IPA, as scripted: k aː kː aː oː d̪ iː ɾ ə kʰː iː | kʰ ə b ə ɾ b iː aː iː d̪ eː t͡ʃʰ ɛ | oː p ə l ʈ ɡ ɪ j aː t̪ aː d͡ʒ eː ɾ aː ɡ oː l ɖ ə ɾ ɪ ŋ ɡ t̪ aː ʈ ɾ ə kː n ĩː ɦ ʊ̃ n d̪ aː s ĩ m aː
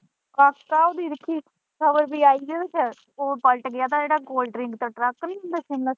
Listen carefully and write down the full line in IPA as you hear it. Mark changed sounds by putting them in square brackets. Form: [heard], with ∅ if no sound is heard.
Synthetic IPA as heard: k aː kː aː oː d̪ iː ɾ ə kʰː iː | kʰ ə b ə ɾ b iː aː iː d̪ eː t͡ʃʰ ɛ | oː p ə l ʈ ɡ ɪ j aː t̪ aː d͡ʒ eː [ɽ] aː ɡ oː l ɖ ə ɾ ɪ ŋ ɡ t̪ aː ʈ ɾ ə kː n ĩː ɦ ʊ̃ n d̪ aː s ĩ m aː